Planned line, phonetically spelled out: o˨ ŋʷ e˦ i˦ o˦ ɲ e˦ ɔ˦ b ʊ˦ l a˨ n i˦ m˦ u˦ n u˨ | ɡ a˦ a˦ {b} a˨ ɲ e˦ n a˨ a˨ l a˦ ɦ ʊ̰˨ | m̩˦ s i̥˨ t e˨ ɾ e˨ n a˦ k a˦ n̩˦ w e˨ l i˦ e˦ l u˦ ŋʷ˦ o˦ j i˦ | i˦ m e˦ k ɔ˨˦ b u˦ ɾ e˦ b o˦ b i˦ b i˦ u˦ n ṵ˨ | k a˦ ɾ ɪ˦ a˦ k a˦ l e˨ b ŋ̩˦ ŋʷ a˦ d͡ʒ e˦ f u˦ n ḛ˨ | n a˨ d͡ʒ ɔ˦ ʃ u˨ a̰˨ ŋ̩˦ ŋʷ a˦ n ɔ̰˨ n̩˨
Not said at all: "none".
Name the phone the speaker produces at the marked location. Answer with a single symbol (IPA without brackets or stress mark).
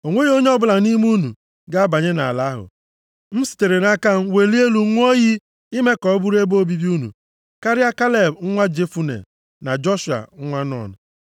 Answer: b